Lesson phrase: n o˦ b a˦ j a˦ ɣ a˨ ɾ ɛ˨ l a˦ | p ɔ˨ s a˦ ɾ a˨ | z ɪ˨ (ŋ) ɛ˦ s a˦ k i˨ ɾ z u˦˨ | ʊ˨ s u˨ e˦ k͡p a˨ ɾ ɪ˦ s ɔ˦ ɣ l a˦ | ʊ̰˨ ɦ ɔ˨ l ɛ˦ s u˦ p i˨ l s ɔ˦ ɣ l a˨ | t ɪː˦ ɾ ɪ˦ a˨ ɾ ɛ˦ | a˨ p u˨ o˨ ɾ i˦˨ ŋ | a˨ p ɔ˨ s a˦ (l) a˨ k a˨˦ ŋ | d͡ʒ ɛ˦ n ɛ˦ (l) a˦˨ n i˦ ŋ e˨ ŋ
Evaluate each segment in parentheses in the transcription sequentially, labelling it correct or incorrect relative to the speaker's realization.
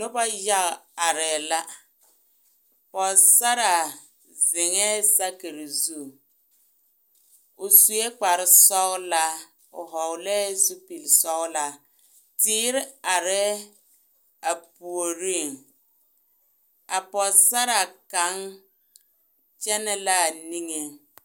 correct, incorrect: ɾ, correct

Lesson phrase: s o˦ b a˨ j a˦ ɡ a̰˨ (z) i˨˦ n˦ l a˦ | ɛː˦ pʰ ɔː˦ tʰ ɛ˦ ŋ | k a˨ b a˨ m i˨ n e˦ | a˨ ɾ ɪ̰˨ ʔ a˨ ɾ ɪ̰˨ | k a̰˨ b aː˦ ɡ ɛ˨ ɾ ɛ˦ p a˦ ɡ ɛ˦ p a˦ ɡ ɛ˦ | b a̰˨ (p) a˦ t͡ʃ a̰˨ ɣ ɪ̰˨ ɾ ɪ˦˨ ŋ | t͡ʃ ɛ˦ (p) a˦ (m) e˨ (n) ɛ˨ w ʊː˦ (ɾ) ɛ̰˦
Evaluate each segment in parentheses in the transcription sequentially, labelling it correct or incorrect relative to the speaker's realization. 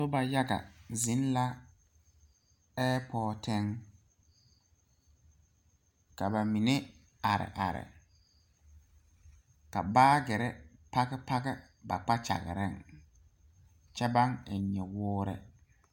correct, incorrect: k͡p, incorrect: b, incorrect: ŋ, incorrect: ɲ, correct

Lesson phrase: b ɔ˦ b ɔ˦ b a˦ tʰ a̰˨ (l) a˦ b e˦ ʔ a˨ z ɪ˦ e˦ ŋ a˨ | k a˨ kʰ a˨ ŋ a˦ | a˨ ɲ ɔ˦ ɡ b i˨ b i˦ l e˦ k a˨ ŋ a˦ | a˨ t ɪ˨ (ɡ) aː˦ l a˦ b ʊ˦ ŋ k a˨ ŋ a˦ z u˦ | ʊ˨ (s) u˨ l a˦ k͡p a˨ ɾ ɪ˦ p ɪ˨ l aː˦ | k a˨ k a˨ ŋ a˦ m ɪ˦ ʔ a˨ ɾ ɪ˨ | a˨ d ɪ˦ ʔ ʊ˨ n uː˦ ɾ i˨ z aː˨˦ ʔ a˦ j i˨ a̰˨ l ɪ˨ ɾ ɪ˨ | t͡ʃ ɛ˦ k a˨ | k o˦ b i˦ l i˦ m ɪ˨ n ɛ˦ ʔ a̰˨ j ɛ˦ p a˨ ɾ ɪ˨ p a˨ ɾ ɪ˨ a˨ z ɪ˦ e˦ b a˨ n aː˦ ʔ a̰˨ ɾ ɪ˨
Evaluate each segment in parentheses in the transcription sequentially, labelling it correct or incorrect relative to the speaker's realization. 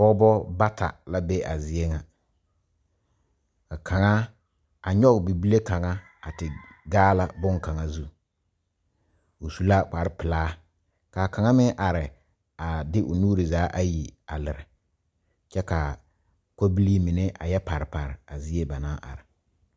correct, correct, correct

